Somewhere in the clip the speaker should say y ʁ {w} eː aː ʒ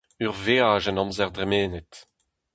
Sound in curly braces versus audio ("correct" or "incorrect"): incorrect